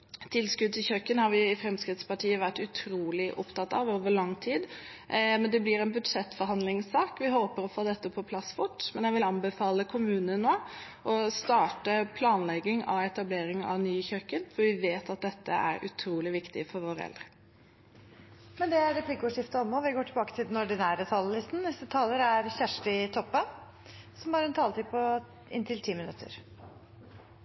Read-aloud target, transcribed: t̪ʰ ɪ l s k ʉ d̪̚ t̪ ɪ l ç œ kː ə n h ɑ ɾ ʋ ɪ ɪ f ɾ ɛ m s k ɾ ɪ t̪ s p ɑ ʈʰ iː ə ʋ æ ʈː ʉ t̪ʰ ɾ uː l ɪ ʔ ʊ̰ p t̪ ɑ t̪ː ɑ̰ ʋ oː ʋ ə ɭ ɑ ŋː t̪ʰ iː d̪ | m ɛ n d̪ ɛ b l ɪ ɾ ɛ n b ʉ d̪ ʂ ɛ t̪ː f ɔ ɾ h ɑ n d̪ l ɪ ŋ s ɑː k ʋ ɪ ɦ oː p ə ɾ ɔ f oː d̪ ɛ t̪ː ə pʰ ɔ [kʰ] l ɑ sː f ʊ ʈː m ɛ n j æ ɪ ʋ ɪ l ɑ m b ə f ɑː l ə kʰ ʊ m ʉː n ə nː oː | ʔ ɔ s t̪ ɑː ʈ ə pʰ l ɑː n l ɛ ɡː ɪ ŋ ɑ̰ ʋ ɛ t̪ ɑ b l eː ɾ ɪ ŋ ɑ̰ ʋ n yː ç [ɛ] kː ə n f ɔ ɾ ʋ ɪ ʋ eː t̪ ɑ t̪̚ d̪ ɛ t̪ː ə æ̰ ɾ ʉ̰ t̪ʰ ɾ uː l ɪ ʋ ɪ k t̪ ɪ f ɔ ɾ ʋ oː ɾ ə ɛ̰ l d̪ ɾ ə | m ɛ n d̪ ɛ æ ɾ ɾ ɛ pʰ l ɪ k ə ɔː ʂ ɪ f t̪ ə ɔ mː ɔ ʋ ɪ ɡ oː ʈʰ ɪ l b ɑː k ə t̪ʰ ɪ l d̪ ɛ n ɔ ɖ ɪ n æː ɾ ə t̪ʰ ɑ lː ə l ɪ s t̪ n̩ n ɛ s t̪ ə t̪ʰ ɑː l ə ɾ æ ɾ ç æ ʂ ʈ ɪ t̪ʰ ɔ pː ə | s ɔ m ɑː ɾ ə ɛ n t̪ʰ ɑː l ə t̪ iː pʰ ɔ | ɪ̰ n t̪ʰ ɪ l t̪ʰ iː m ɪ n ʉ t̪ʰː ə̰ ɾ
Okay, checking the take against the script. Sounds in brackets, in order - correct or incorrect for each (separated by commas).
incorrect, incorrect